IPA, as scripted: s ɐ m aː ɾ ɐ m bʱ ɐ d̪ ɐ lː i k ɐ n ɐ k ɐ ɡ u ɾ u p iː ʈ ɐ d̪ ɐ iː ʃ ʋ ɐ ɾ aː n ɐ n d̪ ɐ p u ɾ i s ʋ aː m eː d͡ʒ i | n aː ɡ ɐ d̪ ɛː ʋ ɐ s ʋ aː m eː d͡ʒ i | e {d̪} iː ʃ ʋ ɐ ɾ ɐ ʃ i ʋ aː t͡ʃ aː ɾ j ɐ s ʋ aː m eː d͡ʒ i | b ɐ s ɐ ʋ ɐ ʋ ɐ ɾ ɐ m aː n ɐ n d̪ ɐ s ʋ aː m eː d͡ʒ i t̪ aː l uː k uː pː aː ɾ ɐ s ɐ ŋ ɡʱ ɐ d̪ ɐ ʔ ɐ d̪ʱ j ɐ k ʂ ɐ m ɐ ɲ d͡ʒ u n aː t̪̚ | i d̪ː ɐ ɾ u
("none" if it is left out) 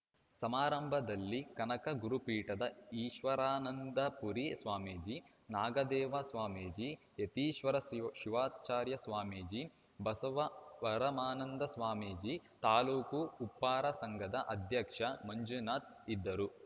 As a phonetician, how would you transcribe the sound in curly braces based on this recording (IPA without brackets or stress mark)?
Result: t̪